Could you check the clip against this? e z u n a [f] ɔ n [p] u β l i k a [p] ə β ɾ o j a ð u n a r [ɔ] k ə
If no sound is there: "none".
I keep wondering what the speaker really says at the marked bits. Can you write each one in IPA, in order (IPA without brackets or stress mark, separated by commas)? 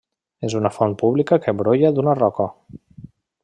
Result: f, p, k, ɔ